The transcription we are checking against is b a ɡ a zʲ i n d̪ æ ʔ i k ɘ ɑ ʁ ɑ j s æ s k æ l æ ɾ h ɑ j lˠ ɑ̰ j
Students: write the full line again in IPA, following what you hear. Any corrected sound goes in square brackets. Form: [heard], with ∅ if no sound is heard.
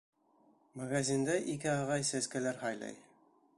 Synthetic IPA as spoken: [m] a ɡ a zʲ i n d̪ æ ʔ i k ɘ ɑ ʁ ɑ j s æ s k æ l æ ɾ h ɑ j lˠ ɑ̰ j